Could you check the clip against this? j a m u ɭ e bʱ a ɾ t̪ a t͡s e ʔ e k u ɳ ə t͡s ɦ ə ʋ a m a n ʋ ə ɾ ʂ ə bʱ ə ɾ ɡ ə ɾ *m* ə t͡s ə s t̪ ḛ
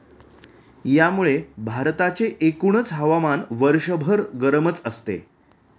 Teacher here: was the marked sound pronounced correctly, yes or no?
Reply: yes